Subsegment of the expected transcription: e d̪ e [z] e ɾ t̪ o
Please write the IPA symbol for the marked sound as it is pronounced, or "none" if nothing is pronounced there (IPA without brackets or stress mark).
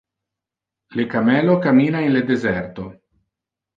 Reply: z